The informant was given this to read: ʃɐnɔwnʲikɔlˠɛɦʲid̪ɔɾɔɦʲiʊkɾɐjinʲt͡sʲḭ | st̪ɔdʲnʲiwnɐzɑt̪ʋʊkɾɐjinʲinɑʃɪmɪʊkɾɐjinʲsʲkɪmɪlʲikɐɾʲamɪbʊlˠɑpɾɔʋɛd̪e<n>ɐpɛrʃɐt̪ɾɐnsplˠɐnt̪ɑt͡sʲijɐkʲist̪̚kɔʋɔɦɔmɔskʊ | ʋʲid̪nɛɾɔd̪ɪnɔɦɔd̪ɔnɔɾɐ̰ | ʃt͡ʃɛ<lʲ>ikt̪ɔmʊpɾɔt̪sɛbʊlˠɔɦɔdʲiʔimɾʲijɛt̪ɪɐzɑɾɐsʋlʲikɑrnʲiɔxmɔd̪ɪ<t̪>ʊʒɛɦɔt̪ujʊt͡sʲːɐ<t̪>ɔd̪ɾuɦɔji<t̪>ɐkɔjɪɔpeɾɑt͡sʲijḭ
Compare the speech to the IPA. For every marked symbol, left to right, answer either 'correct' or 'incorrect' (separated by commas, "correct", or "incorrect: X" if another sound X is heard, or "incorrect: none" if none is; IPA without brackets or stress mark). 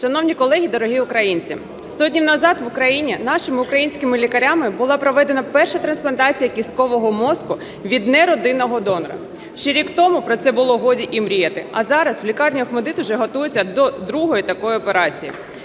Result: correct, incorrect: ɾʲ, correct, incorrect: d̪, correct